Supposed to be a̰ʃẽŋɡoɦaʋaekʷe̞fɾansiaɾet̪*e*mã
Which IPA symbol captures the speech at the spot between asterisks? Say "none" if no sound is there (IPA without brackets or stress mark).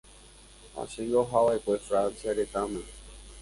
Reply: a